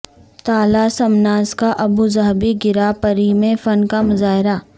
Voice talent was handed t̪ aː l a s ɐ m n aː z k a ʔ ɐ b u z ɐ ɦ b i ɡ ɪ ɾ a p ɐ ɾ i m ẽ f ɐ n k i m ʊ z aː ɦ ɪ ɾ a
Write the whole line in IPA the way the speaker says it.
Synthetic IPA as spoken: t̪ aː l a s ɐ m n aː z k a ʔ ɐ b u z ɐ ɦ b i ɡ ɪ ɾ a p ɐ ɾ i m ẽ f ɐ n k a m ʊ z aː ɦ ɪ ɾ a